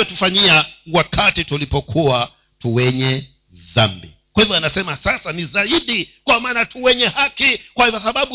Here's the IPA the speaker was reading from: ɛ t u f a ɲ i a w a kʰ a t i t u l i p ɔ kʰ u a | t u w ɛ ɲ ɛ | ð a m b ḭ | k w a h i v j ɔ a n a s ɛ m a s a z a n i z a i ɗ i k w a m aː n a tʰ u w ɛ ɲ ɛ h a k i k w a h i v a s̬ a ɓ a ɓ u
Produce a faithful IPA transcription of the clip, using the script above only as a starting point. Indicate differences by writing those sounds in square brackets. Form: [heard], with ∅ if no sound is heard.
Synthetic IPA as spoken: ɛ t u f a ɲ i a w a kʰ a t i t u l i p ɔ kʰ u a | t u w ɛ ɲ ɛ | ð a m b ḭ | k w a h i v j ɔ a n a s ɛ m a s a [s] a n i z a i ɗ i k w a m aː n a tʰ u w ɛ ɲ ɛ h a k i k w a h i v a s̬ a ɓ a ɓ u